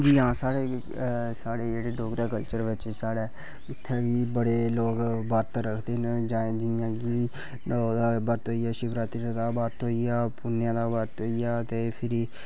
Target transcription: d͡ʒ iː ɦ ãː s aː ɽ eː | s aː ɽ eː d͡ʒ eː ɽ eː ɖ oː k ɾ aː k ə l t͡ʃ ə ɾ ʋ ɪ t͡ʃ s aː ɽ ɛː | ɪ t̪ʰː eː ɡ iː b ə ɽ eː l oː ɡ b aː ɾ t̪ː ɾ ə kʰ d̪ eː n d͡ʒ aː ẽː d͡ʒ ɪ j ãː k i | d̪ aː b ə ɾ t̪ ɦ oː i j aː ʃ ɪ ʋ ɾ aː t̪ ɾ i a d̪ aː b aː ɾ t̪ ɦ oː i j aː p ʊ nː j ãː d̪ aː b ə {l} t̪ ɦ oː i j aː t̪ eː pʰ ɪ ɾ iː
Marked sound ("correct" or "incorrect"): incorrect